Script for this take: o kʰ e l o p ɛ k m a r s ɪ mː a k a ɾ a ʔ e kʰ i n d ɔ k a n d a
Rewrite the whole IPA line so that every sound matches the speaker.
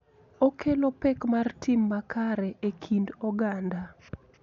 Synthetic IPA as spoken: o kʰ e l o p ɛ k m a r t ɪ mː a k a ɾ ɛ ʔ e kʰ i n d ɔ ɡ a n d a